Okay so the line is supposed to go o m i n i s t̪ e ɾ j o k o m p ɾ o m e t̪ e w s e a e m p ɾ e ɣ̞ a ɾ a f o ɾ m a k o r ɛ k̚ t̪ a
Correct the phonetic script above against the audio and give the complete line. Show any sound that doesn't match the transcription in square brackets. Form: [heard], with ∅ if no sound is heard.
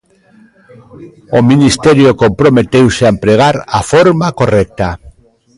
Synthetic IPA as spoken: o m i n i s t̪ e ɾ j o k o m p ɾ o m e t̪ e w s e a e m p ɾ e ɣ̞ a ɾ a f o ɾ m a k o r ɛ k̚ t̪ a

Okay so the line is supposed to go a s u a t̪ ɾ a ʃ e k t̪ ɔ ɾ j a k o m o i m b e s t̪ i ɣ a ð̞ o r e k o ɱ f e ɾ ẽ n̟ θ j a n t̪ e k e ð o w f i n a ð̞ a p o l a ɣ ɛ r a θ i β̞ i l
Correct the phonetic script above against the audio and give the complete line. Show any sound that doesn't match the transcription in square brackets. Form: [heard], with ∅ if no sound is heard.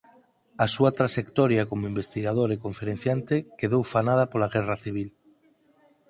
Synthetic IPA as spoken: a s u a t̪ ɾ a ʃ e k t̪ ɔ ɾ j a k o m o i m b e s t̪ i ɣ a ð̞ o [ɾ] e k o ɱ f e ɾ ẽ n̟ θ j a n t̪ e k e ð o w f [a] n a ð̞ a p o l a ɣ ɛ r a θ i β̞ i l

